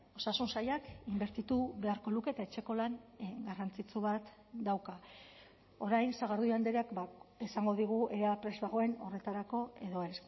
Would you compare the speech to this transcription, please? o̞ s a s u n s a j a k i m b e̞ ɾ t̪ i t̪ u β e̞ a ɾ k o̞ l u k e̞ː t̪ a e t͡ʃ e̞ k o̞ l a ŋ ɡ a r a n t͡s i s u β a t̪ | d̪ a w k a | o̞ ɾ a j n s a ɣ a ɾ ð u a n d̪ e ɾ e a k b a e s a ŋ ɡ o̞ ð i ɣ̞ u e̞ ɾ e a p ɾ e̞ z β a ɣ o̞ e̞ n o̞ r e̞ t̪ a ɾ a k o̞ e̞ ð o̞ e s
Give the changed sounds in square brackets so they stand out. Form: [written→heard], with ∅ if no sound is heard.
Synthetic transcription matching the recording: o̞ s a s u n s a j a k i m b e̞ ɾ t̪ i t̪ u β e̞ a ɾ k o̞ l u k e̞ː t̪ a e t͡ʃ e̞ k o̞ l a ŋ ɡ a r a n t͡s i [s→t͡s] u β a t̪ | d̪ a w k a | o̞ ɾ a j n s a ɣ a ɾ ð u a n d̪ e ɾ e a k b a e s a ŋ ɡ o̞ ð i ɣ̞ u e̞ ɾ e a p ɾ e̞ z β a ɣ o̞ e̞ n o̞ r e̞ t̪ a ɾ a k o̞ e̞ ð o̞ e s